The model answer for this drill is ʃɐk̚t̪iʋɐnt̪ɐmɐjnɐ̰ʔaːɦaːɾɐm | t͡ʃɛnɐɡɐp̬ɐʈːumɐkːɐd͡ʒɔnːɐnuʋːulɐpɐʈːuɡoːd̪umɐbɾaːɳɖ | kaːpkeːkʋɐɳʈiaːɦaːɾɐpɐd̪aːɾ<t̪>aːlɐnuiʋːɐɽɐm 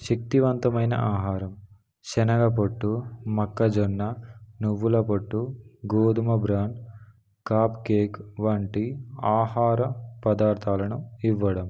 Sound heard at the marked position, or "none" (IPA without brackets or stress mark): t̪ʰ